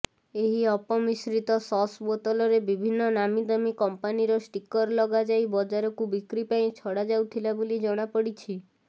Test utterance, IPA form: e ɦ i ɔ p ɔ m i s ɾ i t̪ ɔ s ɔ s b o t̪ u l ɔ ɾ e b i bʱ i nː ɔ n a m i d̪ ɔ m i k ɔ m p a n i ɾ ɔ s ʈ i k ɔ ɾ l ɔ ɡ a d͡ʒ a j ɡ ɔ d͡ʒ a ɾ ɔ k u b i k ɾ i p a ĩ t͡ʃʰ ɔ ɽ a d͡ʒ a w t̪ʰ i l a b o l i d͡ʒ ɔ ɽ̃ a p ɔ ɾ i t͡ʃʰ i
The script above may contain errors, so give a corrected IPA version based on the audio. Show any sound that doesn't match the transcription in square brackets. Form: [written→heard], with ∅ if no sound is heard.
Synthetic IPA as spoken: e ɦ i ɔ p ɔ m i s ɾ i t̪ ɔ s ɔ s b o t̪ [u→ɔ] l ɔ ɾ e b i bʱ i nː ɔ n a m i d̪ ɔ m i k ɔ m p a n i ɾ ɔ s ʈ i k ɔ ɾ l ɔ ɡ a d͡ʒ a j [ɡ→b] ɔ d͡ʒ a ɾ ɔ k u b i k ɾ i p a ĩ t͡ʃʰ ɔ ɽ a d͡ʒ a w t̪ʰ i l a b o l i d͡ʒ ɔ ɽ̃ a p ɔ [ɾ→ɽ] i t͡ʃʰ i